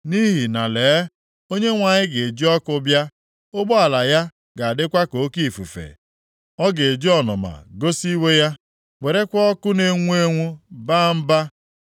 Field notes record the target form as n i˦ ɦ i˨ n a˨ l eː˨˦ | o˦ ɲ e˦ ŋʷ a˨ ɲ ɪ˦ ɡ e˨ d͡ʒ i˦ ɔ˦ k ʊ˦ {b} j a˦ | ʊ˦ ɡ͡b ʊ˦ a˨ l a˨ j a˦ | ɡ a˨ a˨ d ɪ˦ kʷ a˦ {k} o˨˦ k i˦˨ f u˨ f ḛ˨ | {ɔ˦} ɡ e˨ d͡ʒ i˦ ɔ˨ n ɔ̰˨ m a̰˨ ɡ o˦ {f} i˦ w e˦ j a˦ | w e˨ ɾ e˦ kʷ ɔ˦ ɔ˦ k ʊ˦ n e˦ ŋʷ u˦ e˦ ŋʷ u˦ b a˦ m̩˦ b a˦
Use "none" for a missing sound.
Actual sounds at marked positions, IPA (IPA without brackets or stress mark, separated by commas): b, k, ɔ˦, s